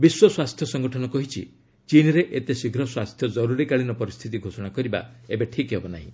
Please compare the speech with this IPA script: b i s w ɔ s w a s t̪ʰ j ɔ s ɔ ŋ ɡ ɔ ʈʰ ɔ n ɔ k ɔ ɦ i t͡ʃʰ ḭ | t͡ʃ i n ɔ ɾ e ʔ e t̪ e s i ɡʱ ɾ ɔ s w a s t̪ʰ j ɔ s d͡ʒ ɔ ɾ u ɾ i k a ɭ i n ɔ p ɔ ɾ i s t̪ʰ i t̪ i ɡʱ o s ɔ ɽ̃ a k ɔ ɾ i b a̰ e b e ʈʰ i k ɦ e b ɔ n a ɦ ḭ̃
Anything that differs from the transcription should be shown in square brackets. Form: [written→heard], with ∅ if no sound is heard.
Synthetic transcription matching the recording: b i s w ɔ s w a s t̪ʰ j ɔ s ɔ ŋ ɡ ɔ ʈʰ ɔ n ɔ k ɔ ɦ i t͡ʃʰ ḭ | t͡ʃ i n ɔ ɾ e ʔ e t̪ e s i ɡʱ ɾ ɔ s w a s t̪ʰ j ɔ [s→∅] d͡ʒ ɔ ɾ u ɾ i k a ɭ i n ɔ p ɔ ɾ i s t̪ʰ i t̪ i ɡʱ o s ɔ ɽ̃ a k ɔ ɾ i b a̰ e b e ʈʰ i k ɦ e b ɔ n a ɦ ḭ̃